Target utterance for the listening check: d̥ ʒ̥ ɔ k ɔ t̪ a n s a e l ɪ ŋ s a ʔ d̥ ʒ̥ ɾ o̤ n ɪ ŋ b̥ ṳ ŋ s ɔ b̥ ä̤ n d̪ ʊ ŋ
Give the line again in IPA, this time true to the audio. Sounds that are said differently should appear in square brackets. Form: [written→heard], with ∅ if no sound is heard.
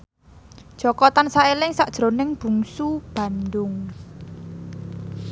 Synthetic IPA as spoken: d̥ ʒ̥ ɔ k ɔ t̪ a n s a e l ɪ ŋ s a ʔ d̥ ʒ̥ ɾ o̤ n ɪ ŋ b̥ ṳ ŋ s [ɔ→u] b̥ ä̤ n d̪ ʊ ŋ